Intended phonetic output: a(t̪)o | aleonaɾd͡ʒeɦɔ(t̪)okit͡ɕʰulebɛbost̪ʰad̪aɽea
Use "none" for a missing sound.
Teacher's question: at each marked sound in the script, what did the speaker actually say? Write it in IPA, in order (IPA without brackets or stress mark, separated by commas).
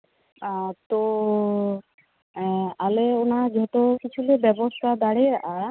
t̪, t̪